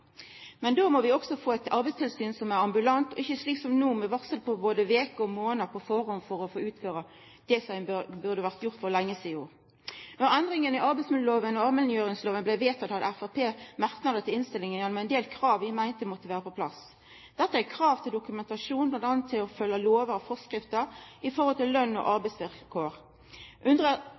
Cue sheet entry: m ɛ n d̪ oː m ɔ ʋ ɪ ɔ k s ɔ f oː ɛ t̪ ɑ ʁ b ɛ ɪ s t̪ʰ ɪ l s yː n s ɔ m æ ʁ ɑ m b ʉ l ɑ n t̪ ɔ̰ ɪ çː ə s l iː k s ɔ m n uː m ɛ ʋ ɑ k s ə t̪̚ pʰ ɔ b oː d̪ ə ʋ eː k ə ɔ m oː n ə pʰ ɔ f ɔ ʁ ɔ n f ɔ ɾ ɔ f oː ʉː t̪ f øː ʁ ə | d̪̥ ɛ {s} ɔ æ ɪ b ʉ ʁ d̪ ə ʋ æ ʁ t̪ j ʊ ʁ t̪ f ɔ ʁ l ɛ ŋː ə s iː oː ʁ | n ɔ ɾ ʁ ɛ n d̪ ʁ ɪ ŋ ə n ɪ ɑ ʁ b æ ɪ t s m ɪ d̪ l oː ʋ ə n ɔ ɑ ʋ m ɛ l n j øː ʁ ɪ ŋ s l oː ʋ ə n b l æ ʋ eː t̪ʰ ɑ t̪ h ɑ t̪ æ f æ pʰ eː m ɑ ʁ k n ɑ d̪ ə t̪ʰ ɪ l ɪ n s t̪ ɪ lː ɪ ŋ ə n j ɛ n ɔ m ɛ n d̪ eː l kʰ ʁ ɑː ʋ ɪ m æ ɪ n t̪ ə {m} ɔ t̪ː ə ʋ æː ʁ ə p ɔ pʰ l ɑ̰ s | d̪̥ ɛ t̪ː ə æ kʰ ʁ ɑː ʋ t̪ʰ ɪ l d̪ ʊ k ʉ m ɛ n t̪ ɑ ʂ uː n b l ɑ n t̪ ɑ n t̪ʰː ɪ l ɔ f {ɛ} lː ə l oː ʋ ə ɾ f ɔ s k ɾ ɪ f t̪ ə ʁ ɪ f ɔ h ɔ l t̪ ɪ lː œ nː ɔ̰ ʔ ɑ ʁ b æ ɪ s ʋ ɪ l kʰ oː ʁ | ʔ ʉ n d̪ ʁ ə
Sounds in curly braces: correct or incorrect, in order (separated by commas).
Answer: correct, correct, incorrect